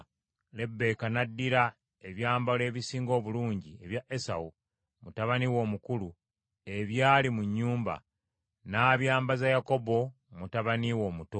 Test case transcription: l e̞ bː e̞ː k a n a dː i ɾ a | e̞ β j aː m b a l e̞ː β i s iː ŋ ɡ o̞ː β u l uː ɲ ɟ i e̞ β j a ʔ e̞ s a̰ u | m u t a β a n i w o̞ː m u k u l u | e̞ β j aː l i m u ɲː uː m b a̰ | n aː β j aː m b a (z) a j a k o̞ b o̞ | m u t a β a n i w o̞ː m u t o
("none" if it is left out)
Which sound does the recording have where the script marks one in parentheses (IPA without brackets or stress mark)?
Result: z